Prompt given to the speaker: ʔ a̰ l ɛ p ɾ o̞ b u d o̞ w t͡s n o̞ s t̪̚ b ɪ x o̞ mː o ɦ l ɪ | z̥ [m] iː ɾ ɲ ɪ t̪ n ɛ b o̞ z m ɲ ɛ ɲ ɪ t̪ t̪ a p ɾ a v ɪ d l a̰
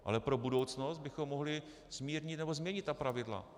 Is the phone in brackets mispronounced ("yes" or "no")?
no